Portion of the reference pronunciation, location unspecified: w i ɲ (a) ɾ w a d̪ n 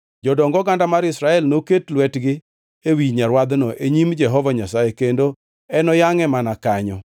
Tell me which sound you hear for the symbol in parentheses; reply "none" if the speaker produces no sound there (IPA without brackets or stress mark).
a